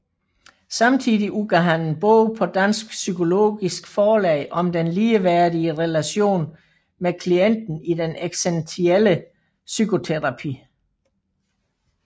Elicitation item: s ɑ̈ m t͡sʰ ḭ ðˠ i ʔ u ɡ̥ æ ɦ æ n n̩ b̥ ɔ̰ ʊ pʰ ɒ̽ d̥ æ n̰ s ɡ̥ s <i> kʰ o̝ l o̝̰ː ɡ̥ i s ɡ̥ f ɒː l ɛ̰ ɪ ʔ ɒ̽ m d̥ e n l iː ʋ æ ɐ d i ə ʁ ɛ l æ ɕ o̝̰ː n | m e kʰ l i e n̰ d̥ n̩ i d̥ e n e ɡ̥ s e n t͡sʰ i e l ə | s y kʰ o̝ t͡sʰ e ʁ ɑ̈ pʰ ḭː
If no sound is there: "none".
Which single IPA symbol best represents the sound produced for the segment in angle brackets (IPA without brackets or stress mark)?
y